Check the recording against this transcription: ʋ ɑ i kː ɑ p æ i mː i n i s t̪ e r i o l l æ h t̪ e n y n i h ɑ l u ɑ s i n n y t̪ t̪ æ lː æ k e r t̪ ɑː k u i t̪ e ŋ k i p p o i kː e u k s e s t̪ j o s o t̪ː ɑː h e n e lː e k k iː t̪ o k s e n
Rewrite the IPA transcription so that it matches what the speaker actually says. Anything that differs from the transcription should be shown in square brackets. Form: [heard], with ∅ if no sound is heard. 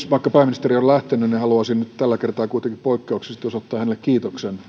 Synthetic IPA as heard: ʋ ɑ i kː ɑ p æ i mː i n i s t̪ e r i o l l æ h t̪ e n y n i h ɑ l u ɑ s i n n y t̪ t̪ æ lː æ k e r t̪ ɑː k u i t̪ e ŋ k i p p o i kː e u k s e s t̪ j o s o t̪ː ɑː h [æ] n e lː e k k iː t̪ o k s e n